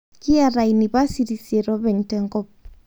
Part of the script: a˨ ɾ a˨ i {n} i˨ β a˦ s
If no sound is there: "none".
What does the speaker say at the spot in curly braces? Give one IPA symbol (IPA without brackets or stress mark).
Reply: n